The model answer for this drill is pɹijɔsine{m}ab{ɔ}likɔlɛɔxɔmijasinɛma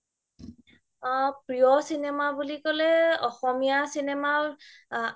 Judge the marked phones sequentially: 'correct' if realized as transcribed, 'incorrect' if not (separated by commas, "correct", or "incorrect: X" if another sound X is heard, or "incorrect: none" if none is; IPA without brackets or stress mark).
correct, incorrect: u